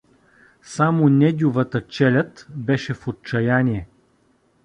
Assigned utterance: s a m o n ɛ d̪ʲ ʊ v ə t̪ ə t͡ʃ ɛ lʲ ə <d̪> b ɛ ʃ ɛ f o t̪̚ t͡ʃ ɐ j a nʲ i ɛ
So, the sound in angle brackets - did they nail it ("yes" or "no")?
no